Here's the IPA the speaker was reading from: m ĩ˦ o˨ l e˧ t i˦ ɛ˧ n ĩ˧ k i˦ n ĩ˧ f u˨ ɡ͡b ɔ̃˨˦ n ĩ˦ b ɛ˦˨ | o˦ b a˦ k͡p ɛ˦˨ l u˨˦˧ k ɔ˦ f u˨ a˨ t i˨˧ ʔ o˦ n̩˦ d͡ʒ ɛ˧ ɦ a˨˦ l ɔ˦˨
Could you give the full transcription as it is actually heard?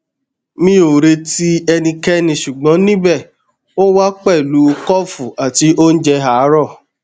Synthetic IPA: m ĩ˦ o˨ ɾ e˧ t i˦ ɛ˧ n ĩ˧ k ɛ˦ n ĩ˧ ʃ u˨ ɡ͡b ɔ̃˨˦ n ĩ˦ b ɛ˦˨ | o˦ w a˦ k͡p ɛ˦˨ l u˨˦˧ k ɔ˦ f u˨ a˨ t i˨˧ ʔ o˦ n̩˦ d͡ʒ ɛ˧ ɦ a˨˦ ɾ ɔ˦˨